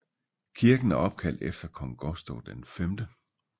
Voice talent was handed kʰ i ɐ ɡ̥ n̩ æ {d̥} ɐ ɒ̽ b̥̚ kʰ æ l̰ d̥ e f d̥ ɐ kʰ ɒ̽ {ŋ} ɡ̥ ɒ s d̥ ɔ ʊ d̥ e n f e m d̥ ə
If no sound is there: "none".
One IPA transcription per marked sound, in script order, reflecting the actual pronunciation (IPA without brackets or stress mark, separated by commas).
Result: none, ŋ